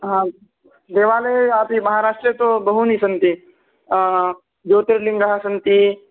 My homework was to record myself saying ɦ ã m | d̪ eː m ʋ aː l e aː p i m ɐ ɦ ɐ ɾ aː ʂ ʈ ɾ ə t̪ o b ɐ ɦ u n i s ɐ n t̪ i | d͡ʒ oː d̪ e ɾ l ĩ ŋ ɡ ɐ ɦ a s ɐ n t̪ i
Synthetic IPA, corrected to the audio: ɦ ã | d̪ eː ʋ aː l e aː p i m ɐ ɦ a ɾ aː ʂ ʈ ɾ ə t̪ o b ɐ ɦ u n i s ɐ n t̪ i | d͡ʒ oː t̪ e ɾ l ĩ ŋ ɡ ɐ ɦ a s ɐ n t̪ i